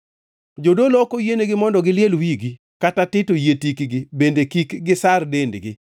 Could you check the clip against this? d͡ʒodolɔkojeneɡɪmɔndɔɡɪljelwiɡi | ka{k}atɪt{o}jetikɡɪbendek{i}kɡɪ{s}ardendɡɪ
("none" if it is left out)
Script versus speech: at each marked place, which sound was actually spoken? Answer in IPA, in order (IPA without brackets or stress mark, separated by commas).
t, o, i, s